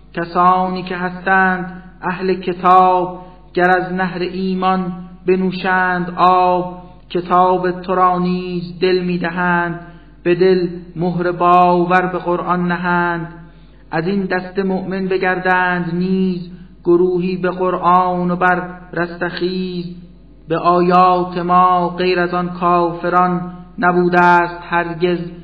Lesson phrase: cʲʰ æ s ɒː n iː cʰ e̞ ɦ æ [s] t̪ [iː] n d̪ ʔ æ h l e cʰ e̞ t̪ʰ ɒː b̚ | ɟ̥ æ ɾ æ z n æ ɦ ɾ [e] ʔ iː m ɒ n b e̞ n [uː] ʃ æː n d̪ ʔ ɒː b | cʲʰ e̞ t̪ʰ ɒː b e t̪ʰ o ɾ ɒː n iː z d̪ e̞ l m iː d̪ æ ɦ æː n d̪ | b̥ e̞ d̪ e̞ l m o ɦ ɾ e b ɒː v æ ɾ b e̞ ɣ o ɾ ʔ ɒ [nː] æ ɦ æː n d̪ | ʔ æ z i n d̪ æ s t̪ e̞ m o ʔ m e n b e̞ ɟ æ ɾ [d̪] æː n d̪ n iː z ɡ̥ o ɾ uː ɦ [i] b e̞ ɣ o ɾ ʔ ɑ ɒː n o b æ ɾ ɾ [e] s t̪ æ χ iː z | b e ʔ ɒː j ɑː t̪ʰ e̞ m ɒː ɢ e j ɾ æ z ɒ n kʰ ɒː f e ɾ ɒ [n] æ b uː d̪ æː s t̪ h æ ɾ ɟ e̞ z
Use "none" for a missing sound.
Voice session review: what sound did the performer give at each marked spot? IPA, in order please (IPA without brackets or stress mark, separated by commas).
s, æː, e, uː, nː, d̪, iː, æ, nː